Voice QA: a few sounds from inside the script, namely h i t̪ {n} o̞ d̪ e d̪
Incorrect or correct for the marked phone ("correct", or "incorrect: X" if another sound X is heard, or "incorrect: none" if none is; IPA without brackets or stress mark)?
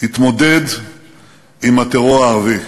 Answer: incorrect: m